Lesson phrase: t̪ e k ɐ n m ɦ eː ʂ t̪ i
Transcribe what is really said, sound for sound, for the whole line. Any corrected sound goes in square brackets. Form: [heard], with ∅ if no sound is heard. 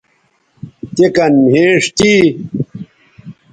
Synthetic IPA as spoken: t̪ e k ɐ n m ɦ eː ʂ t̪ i